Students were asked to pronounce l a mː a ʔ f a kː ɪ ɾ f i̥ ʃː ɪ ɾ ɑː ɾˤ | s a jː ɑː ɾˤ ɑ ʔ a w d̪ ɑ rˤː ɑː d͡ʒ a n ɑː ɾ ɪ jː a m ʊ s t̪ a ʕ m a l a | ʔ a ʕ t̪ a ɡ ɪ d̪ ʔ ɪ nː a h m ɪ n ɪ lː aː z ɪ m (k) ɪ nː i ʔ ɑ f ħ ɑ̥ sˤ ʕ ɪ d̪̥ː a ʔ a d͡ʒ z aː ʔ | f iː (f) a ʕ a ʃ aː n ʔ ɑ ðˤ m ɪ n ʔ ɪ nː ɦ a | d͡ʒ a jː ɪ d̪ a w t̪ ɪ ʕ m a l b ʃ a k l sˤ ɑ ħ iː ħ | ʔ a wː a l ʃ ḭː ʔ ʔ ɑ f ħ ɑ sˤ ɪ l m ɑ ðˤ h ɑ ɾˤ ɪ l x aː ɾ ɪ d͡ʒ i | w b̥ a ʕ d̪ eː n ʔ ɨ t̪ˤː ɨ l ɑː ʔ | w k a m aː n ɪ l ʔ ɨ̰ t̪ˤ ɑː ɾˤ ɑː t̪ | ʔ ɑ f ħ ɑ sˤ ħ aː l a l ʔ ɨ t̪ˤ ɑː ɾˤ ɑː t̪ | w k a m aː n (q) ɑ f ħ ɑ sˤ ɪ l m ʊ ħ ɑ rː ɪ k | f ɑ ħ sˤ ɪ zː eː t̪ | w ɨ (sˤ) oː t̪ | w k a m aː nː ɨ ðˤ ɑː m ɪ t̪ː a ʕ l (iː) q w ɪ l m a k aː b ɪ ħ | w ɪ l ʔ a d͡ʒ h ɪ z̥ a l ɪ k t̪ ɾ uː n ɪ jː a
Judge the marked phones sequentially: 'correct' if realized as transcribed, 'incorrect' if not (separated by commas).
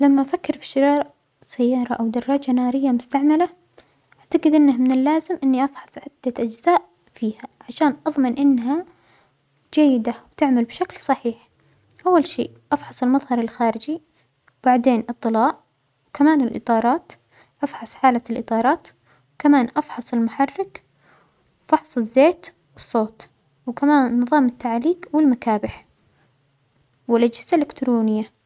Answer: incorrect, incorrect, incorrect, incorrect, correct